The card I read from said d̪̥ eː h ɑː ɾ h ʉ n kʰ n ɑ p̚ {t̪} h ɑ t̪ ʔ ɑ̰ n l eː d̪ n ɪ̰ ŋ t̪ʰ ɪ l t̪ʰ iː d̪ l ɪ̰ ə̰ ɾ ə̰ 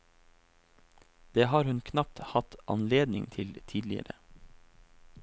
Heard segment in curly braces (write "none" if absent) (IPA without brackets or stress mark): t̪